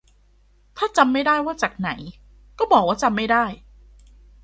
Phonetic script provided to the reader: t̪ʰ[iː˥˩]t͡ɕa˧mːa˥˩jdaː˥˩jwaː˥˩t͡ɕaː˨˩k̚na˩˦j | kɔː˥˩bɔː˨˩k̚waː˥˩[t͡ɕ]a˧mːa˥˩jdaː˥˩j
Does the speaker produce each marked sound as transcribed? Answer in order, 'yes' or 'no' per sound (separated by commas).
no, yes